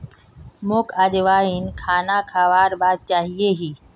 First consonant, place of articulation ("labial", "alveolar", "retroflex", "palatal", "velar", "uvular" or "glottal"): labial